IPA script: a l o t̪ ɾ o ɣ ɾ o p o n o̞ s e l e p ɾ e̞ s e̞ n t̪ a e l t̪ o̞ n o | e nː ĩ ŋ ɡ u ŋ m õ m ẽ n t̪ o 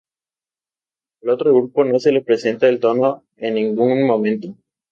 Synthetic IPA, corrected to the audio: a l o t̪ ɾ o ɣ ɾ u p o n o̞ s e l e p ɾ e̞ s e̞ n t̪ a e l t̪ o̞ n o | e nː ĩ ŋ ɡ u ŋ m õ m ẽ n t̪ o